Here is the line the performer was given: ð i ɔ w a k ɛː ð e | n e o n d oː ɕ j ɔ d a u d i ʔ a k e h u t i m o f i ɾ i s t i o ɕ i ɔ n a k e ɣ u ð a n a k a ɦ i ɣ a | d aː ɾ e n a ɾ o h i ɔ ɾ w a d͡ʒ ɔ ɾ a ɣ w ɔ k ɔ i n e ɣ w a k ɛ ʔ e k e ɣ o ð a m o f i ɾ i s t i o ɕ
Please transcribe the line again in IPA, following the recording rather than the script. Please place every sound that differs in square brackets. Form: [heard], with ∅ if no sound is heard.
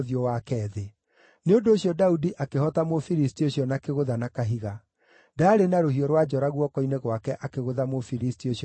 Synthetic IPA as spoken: ð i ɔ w a k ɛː ð e | n e o n d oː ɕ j ɔ d a u d i ʔ a k e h [ɔ] t [a] m o f i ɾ i s t i o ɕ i ɔ n a k e ɣ [o] ð a n a k a ɦ i ɣ a | d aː ɾ e n a ɾ o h i ɔ ɾ w a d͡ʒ ɔ ɾ a ɣ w ɔ k ɔ i n e ɣ w a k ɛ ʔ [a] k e ɣ o ð a m o f i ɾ i s t i o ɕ